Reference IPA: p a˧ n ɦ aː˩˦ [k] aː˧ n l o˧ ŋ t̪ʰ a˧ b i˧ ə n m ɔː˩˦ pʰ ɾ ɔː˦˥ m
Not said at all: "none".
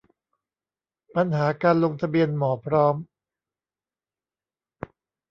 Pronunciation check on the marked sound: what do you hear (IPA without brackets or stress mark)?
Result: k